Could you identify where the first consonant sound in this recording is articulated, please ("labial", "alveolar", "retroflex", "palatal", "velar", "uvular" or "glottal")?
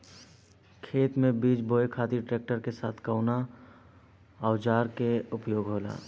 velar